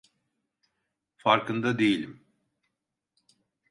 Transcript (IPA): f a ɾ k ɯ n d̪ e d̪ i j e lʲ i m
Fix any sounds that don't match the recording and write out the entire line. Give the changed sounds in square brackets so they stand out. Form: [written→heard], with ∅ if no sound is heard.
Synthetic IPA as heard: f a ɾ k ɯ n d̪ [e→a] d̪ [i→e] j [e→i] lʲ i m

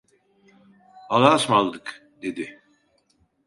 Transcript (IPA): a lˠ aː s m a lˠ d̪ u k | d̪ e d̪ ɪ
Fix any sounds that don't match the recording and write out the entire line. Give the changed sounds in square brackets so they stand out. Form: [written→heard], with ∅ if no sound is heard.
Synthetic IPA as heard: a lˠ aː s m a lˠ d̪ [u→ɯ] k | d̪ e d̪ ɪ

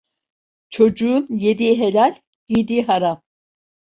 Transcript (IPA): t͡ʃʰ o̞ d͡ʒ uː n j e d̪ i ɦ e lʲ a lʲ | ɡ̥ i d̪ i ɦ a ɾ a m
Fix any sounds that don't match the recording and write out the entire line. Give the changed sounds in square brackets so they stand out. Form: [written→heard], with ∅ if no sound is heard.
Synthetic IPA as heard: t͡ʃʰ o̞ d͡ʒ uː n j e d̪ i ɦ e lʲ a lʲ | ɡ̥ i d̪ i ɦ a ɾ a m

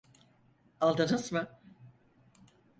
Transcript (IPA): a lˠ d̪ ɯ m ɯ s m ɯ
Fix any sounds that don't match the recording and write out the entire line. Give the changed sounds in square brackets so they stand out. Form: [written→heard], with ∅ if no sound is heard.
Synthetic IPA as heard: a lˠ d̪ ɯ [m→n] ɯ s m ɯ

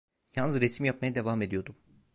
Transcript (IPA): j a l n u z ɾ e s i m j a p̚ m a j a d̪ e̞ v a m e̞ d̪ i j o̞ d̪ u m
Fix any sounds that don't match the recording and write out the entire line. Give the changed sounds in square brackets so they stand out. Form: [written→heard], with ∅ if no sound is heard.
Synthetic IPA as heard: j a l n [u→ɯ] z ɾ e s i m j a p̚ m a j a d̪ e̞ v a m e̞ d̪ i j o̞ d̪ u m

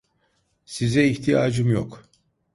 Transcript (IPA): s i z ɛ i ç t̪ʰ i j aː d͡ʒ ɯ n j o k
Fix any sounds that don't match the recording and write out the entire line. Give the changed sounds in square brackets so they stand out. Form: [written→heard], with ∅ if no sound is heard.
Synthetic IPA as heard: s i z ɛ i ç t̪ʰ i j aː d͡ʒ ɯ [n→m] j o k

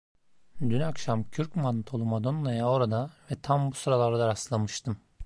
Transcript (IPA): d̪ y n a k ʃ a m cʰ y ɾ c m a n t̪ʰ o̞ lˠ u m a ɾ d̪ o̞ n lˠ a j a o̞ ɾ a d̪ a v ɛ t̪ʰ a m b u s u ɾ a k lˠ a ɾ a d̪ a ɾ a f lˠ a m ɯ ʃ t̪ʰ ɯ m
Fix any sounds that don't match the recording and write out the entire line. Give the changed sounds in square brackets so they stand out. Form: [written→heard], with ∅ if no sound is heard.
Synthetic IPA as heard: d̪ y n a k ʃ a m cʰ y ɾ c m a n t̪ʰ o̞ lˠ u m a [ɾ→∅] d̪ o̞ n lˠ a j a o̞ ɾ a d̪ a v ɛ t̪ʰ a m b u s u ɾ a [k→∅] lˠ a ɾ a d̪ a ɾ a [f→s] lˠ a m ɯ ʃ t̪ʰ ɯ m

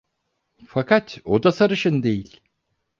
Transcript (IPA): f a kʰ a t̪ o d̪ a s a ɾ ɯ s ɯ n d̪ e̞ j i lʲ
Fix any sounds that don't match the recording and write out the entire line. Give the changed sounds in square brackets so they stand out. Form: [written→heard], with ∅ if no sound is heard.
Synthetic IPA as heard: f a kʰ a t̪ o d̪ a s a ɾ ɯ [s→ʃ] ɯ n d̪ e̞ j i lʲ

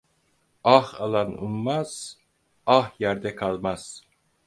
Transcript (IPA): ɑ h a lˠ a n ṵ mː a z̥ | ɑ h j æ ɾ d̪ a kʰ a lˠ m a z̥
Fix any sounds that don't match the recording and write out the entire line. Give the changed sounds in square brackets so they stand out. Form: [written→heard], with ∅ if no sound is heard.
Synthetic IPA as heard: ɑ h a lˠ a n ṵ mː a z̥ | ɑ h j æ ɾ d̪ [a→ɛ] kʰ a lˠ m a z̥

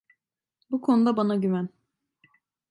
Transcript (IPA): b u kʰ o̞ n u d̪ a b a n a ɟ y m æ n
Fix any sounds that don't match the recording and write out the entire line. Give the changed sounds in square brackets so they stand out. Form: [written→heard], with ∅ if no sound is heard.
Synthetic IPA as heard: b u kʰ o̞ n u d̪ a b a n a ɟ y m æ n

